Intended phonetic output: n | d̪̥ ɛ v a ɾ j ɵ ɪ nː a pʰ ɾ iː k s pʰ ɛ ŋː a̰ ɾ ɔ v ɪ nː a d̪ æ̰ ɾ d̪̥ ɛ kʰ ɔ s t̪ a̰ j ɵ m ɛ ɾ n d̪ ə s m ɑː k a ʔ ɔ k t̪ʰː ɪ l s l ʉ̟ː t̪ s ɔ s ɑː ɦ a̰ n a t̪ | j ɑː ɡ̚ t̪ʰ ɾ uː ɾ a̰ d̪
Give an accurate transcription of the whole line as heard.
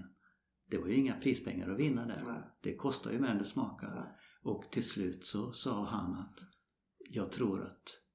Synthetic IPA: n | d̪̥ ɛ v a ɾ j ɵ ɪ ŋː a pʰ ɾ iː s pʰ ɛ ŋː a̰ ɾ ɔ v ɪ nː a d̪ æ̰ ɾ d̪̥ ɛ kʰ ɔ s t̪ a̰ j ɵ m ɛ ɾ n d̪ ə s m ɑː k a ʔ ɔ k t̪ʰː ɪ l s l ʉ̟ː t̪ s ɔ s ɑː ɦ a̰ n a t̪ | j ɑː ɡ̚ t̪ʰ ɾ uː ɾ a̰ t̪